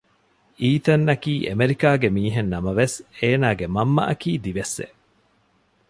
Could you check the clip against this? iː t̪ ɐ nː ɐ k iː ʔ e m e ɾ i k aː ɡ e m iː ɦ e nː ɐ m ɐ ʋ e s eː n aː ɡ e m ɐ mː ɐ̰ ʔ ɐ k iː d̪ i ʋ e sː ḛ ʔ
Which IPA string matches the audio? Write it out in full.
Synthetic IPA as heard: iː t̪ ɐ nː ɐ k iː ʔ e m e ɾ i k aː ɡ e m iː ɦ e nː ɐ m ɐ ʋ e s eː n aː ɡ e m ɐ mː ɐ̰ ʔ ɐ k iː d̪ i ʋ e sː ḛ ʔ